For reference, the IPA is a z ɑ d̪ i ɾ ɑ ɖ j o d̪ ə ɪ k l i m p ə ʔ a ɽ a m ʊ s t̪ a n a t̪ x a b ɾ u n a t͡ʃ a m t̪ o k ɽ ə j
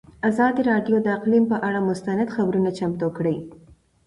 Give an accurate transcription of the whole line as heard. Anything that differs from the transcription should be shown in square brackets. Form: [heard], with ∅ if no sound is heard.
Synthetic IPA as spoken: a z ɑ d̪ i ɾ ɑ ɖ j o d̪ ə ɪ [q] l i m p ə ʔ a ɽ a m ʊ s t̪ a n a [d̪] x a b ɾ u n a t͡ʃ a m t̪ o k ɽ ə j